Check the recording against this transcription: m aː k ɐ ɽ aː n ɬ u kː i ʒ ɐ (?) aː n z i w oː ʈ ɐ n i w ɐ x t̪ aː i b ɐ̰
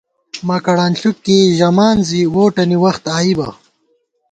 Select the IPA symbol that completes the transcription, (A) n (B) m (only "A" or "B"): B